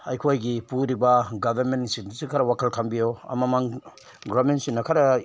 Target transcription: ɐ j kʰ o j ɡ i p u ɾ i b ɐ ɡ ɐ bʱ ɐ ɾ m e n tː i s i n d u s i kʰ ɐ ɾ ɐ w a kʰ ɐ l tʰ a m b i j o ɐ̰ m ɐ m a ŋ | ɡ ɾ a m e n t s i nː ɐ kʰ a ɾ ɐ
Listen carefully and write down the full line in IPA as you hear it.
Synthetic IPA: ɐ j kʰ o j ɡ i p u ɾ i b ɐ ɡ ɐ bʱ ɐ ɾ m e n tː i s i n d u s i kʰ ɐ ɾ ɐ w a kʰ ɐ l kʰ a m b i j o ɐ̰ m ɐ m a ŋ | ɡ ɾ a m e n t s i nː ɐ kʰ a ɾ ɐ